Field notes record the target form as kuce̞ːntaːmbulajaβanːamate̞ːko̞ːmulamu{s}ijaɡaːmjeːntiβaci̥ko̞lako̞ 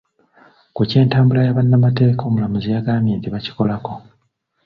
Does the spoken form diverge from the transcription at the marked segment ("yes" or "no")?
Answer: yes